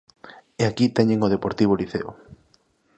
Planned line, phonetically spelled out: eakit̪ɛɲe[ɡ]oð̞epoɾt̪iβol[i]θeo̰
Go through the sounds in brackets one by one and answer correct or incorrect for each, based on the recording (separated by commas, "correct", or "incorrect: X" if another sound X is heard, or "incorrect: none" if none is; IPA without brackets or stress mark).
incorrect: ŋ, correct